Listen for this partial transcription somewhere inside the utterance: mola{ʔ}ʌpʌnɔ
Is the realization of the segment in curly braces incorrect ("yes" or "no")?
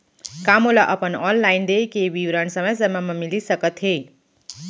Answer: no